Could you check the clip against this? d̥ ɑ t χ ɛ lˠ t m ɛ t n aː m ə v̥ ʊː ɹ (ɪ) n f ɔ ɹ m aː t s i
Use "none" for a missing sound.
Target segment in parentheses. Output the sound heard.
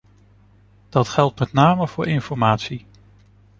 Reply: ɪ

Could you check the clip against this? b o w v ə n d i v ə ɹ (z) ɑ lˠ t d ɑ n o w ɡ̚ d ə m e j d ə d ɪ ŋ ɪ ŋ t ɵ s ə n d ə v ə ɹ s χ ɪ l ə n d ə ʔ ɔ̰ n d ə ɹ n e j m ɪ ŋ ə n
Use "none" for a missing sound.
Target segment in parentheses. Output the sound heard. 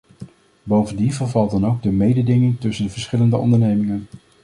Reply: v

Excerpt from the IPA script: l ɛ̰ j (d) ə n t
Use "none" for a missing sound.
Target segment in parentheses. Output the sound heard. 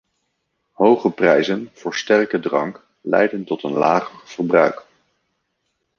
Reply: d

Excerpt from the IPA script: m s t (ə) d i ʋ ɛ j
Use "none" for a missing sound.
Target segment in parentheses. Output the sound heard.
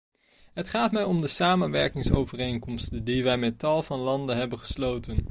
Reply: ə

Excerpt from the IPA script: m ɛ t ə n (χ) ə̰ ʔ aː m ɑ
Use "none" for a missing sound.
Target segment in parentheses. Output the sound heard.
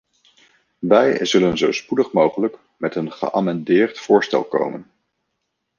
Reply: χ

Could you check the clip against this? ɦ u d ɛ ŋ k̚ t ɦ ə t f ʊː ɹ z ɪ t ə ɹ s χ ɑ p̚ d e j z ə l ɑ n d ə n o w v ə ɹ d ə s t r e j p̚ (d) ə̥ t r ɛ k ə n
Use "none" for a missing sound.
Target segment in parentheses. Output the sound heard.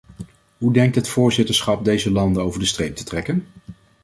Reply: t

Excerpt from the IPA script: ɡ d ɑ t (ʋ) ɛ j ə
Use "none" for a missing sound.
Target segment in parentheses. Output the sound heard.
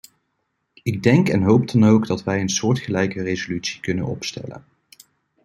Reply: ʋ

